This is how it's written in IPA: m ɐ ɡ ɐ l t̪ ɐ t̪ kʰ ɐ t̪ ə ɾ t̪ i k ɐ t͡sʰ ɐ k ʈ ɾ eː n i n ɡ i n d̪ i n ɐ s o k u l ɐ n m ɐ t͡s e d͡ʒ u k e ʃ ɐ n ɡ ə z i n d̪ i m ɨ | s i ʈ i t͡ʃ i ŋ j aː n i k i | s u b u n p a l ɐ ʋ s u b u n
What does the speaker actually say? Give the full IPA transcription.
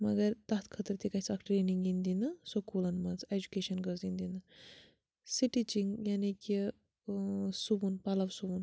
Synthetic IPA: m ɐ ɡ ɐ ɾ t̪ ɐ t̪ kʰ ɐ t̪ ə ɾ t̪ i k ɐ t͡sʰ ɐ k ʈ ɾ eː n i ŋ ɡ i n d̪ i n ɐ s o k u l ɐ n m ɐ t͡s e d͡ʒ u k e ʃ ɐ n ɡ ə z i n d̪ i n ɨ | s i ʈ i t͡ʃ i ŋ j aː n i k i | s u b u n p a l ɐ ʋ s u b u n

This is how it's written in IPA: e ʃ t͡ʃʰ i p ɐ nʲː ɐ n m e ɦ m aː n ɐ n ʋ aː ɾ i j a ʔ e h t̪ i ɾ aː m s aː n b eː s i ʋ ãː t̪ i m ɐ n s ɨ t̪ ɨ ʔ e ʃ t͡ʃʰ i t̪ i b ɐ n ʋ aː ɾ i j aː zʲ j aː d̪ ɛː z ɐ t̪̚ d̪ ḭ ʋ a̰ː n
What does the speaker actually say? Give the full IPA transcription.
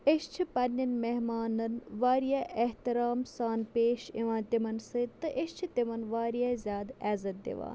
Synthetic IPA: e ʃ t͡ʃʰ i p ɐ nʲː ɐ n m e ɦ m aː n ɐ n ʋ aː ɾ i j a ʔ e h t̪ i ɾ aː m s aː n p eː ʃ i ʋ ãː t̪ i m ɐ n s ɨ t̪ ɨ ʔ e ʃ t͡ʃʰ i t̪ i m ɐ n ʋ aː ɾ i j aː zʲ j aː d̪ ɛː z ɐ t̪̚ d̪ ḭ ʋ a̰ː n

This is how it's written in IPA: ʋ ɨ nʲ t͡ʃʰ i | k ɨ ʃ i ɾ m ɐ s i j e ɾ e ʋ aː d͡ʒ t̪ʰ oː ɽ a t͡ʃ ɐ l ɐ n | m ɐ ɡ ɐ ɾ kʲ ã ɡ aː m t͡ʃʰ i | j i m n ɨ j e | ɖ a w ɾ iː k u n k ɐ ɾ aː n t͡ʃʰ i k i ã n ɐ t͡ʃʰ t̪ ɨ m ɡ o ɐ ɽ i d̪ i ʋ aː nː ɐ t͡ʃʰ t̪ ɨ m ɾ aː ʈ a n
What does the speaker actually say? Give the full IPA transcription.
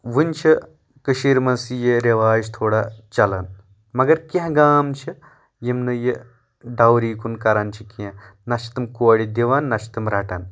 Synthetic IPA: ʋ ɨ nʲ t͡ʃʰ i | k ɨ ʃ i ɾ m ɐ s i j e ɾ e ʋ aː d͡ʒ t̪ʰ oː ɽ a t͡ʃ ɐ l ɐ n | m ɐ ɡ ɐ ɾ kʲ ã ɡ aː m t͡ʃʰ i | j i m n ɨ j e | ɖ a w ɾ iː k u n k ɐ ɾ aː n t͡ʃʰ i k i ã n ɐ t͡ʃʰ t̪ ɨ m k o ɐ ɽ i d̪ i ʋ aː nː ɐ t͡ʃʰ t̪ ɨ m ɾ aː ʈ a n

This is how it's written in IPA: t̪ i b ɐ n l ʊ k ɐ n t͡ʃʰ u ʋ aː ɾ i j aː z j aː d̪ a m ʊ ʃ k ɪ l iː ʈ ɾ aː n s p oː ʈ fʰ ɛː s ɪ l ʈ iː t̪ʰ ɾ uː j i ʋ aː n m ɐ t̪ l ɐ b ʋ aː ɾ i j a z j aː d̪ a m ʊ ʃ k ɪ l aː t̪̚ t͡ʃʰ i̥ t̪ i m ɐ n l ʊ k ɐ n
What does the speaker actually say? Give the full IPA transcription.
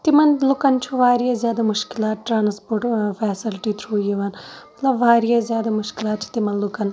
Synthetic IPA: t̪ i m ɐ n l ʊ k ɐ n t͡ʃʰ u ʋ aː ɾ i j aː z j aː d̪ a m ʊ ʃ k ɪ l aː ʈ ɾ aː n s p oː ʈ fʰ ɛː s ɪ l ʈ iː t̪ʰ ɾ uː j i ʋ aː n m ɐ t̪ l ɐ b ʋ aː ɾ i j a z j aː d̪ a m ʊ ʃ k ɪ l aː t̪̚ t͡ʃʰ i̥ t̪ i m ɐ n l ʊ k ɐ n

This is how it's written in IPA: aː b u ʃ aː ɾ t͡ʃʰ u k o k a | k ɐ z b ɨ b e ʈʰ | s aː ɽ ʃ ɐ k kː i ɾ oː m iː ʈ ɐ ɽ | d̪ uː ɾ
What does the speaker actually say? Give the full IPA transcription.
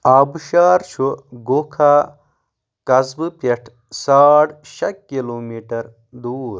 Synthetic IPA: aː b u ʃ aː ɾ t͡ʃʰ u ɡ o kʰ a | k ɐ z b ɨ p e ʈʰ | s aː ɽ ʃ ɐ k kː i l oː m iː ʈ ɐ ɾ | d̪ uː ɾ

